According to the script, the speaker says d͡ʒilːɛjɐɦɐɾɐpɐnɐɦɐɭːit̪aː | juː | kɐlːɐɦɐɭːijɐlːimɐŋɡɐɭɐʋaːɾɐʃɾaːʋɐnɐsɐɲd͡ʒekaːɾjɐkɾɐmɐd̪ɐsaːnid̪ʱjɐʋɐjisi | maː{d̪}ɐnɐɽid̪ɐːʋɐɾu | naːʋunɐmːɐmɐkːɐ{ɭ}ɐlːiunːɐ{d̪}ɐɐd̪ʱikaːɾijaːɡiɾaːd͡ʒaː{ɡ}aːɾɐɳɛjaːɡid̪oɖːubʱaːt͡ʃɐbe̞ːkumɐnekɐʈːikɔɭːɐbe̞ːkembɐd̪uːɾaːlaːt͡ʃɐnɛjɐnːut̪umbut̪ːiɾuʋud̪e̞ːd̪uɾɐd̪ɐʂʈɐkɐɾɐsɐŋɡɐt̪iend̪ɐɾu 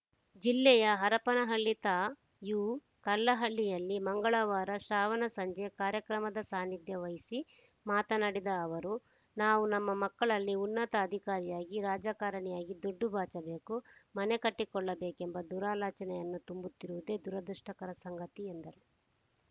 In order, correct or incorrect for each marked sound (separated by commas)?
incorrect, correct, incorrect, incorrect